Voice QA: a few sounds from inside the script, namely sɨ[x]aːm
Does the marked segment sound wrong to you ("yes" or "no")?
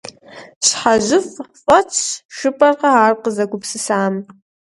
yes